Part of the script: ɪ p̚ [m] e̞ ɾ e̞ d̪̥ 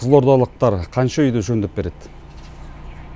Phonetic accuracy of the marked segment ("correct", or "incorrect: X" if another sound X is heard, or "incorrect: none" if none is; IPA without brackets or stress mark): incorrect: b